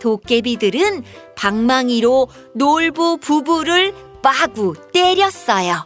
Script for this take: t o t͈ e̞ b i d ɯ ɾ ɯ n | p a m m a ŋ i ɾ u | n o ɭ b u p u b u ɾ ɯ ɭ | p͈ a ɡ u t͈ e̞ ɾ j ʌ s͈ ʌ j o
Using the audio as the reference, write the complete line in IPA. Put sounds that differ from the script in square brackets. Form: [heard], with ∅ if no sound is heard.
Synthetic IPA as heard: t o [k͈] e̞ b i d ɯ ɾ ɯ n | p a [ŋ] m a ŋ i ɾ [o] | n o ɭ b u p u b u ɾ ɯ ɭ | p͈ a ɡ u t͈ e̞ ɾ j ʌ s͈ ʌ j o